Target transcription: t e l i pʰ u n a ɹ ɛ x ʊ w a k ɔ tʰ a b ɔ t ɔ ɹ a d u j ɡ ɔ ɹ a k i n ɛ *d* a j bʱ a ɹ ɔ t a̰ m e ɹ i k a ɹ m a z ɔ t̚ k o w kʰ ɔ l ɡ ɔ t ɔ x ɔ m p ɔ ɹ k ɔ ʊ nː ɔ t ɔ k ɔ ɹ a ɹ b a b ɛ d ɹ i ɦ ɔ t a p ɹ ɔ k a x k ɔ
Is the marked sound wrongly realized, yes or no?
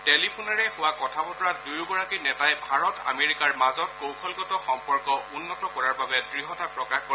yes